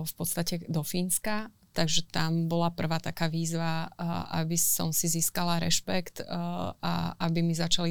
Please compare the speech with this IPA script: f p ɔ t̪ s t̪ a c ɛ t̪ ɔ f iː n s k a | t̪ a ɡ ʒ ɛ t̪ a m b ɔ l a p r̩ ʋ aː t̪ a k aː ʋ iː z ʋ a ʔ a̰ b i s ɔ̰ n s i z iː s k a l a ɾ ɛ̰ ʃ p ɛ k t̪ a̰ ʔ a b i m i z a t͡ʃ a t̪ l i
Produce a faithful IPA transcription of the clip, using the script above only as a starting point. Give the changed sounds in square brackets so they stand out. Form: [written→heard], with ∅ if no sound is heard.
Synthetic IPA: f p ɔ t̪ s t̪ a c ɛ [t̪→d̪] ɔ f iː n s k a | t̪ a ɡ ʒ ɛ t̪ a m b ɔ l a p r̩ ʋ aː t̪ a k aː ʋ iː z ʋ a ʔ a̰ b i s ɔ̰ [n→m] s i z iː s k a l a ɾ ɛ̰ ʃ p ɛ k t̪ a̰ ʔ a b i m i z a t͡ʃ a [t̪→∅] l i